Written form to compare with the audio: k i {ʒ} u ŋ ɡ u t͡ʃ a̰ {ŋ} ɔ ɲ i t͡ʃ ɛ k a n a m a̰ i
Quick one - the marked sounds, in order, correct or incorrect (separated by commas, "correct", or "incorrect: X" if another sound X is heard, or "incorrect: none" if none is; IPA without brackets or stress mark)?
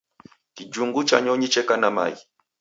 incorrect: d͡ʒ, incorrect: ɲ